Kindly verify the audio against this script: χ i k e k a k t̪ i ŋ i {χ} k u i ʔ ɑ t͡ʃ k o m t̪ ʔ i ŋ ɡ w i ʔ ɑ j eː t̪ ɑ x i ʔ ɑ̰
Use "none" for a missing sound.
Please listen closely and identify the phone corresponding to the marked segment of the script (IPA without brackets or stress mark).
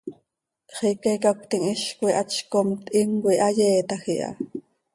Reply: ʃ